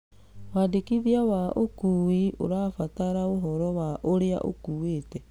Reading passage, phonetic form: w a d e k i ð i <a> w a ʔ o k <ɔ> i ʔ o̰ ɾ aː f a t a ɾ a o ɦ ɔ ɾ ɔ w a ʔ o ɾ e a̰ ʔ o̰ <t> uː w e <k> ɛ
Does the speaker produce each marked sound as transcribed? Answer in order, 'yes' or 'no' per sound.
yes, no, no, no

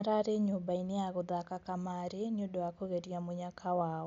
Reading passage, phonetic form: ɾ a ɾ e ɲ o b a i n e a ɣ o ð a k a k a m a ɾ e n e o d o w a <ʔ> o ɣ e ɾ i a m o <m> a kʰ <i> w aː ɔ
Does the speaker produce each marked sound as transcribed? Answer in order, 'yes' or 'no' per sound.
no, no, no

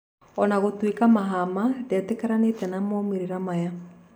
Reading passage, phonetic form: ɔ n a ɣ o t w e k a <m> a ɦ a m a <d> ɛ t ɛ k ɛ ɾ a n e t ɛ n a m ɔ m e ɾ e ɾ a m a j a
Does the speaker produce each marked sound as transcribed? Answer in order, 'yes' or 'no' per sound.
yes, yes

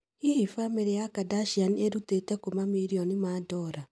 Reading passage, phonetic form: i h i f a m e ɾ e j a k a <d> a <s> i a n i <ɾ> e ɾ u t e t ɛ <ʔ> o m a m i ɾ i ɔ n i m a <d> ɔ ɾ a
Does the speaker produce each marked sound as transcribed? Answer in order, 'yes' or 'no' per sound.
yes, no, no, no, yes

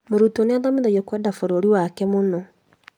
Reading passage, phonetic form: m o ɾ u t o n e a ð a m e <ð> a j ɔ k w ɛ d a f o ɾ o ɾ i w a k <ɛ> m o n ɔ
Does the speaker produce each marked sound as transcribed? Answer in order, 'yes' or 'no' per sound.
yes, yes

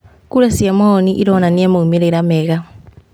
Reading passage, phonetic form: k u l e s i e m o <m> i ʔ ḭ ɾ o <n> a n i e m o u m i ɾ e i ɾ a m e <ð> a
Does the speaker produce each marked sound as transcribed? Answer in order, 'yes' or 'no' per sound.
no, yes, no

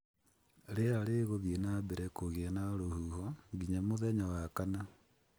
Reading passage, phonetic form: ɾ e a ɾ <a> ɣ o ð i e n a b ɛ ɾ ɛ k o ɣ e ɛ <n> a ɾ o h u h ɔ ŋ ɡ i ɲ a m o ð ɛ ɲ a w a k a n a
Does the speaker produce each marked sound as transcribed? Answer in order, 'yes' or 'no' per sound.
no, yes

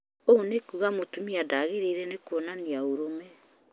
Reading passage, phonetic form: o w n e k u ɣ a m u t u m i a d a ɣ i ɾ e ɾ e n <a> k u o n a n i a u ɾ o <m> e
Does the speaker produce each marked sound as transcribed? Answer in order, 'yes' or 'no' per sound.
no, yes

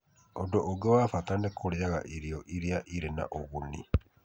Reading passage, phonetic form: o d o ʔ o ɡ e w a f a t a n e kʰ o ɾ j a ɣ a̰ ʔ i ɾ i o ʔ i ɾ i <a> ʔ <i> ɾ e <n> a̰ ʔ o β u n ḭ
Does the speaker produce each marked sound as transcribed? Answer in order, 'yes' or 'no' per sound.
yes, yes, yes

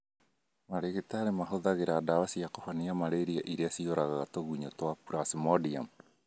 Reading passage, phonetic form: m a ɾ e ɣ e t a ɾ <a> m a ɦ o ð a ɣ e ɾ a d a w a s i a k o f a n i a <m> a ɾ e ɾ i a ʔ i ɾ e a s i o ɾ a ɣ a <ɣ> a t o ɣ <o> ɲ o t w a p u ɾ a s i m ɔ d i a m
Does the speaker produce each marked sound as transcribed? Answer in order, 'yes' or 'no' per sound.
no, yes, yes, no

